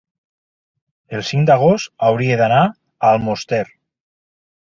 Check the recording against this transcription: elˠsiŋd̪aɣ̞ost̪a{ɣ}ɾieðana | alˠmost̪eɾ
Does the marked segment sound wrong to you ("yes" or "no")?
yes